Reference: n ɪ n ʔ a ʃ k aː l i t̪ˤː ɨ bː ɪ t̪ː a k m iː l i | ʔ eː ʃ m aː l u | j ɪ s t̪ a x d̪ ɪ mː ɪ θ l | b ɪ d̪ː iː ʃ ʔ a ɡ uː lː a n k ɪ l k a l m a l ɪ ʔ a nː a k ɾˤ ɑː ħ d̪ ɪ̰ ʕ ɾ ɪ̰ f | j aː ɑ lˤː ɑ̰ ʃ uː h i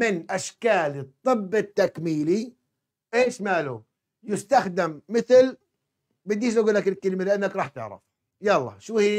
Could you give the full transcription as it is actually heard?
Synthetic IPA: m ɪ n ʔ a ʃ k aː l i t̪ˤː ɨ bː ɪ t̪ː a k m iː l i | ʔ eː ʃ m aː l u | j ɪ s t̪ a x d̪ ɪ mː ɪ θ l | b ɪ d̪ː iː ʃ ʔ a ɡ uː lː a k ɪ l k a l m a l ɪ ʔ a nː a k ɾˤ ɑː ħ t̪ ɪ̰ ʕ ɾ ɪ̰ f | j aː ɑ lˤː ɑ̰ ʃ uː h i